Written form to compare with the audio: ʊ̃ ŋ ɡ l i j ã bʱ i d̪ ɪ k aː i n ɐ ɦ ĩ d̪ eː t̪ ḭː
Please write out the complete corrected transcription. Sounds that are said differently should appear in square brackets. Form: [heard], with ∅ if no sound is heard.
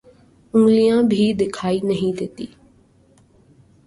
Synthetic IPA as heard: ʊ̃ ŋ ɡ l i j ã bʱ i d̪ ɪ [kʰ] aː i n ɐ ɦ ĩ d̪ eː t̪ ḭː